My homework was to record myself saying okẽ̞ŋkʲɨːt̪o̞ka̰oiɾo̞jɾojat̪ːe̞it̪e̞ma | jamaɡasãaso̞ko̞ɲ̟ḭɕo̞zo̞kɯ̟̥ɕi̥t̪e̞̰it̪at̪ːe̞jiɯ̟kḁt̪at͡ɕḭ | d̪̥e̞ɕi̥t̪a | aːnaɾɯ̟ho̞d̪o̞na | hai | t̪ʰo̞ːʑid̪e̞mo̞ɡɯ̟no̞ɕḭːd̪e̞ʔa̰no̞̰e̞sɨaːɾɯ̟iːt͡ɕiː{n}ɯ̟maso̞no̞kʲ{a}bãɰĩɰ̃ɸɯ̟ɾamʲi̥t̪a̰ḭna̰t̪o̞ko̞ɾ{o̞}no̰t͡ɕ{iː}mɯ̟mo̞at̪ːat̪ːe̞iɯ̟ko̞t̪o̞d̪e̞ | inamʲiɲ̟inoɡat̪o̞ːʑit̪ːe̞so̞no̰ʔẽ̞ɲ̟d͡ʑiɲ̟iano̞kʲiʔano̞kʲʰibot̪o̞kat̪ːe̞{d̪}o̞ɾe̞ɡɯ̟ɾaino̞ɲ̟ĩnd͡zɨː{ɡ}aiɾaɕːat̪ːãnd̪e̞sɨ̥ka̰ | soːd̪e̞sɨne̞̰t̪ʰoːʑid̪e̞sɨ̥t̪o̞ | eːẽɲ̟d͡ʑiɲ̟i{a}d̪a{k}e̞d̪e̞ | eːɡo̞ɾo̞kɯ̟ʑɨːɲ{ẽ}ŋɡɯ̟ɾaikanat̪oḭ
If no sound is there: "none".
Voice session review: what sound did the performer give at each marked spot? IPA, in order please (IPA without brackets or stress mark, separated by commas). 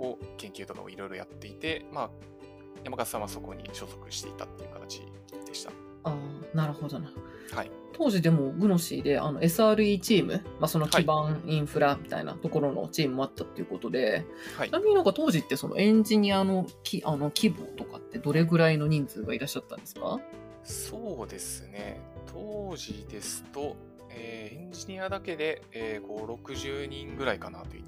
m, i, o̞, iː, d̪, ɡ, a, k, ĩ